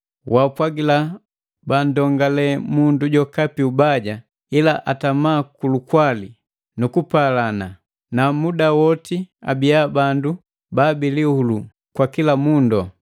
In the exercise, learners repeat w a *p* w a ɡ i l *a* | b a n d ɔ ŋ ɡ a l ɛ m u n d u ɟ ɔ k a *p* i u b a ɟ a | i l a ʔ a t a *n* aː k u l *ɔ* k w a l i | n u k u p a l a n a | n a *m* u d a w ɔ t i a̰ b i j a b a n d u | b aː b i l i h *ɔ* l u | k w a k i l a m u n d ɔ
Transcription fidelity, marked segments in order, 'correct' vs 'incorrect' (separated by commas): correct, correct, correct, incorrect, incorrect, correct, incorrect